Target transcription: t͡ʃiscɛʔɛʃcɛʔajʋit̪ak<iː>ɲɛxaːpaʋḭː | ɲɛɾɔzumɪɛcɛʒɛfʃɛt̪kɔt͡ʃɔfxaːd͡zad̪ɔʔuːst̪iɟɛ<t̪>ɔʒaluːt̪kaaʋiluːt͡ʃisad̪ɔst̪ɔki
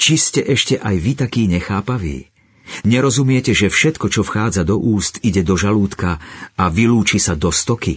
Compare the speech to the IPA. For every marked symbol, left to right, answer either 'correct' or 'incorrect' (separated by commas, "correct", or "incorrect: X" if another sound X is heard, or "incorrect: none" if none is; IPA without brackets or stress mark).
correct, incorrect: d̪